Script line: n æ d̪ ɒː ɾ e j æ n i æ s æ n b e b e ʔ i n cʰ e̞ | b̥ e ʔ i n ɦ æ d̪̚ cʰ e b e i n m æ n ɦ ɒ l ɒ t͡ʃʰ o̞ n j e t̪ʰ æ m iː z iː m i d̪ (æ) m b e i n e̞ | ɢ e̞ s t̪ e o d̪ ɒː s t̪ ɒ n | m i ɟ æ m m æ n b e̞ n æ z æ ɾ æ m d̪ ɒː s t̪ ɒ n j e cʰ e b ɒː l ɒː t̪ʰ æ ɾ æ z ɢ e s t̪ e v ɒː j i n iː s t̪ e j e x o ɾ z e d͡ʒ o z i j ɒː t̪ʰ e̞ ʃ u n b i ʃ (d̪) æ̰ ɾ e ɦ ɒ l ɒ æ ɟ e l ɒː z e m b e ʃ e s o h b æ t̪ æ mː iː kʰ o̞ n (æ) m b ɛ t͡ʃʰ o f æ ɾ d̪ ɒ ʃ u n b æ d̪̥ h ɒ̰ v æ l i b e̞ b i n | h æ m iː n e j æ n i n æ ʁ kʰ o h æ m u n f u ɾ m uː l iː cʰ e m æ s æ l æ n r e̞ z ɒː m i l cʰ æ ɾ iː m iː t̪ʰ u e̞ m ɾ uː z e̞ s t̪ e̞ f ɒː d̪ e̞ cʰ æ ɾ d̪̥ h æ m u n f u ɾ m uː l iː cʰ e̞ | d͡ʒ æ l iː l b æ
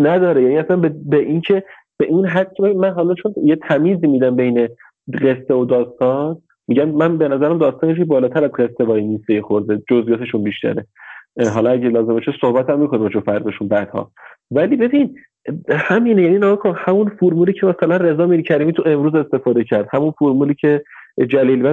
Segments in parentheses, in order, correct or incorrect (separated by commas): correct, incorrect, incorrect